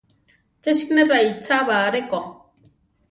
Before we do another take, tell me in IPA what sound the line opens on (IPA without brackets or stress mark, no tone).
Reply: t͡ʃ